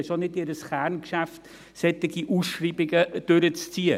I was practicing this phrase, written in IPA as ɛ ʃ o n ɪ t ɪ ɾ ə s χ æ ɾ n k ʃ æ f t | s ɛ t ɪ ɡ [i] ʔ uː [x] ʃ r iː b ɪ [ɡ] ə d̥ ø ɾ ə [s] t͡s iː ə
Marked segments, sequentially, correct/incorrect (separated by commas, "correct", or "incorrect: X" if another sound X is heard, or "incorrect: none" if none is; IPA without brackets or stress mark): correct, incorrect: s, correct, incorrect: t͡s